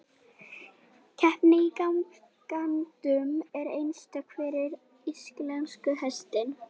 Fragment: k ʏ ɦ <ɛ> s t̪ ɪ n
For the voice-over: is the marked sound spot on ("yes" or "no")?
yes